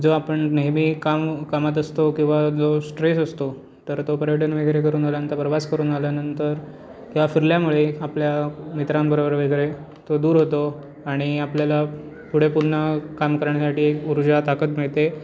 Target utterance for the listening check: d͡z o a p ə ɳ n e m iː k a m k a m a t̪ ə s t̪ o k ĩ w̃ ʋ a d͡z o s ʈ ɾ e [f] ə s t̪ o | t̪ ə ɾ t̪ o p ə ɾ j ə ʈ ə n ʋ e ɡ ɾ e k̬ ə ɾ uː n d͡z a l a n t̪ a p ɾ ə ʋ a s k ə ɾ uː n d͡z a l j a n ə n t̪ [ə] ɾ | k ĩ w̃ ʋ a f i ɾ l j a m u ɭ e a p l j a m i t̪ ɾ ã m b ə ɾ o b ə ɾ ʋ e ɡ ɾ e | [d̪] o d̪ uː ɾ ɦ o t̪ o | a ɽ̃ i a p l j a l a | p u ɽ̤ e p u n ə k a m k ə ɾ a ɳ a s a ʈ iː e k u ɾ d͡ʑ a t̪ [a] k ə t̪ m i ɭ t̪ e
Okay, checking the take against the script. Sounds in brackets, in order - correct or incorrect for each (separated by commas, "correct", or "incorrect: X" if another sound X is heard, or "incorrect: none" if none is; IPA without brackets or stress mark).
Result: incorrect: s, correct, incorrect: t̪, correct